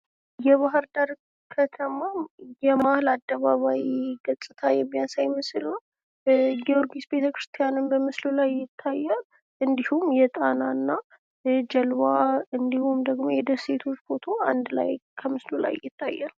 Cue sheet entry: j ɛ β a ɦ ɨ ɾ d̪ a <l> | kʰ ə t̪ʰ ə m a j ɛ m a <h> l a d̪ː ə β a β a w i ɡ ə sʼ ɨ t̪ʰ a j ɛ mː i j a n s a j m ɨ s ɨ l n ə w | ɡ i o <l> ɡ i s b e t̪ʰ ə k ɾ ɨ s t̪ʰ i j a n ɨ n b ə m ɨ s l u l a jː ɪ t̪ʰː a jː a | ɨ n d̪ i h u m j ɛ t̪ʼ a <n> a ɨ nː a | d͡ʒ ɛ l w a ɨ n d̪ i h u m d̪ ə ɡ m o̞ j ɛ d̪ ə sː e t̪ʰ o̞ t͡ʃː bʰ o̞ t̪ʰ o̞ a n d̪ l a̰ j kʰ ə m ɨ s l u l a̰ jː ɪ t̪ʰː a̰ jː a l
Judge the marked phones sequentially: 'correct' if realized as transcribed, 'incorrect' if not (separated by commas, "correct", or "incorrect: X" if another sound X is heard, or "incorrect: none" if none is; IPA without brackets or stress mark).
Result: incorrect: ɾ, correct, incorrect: ɾ, correct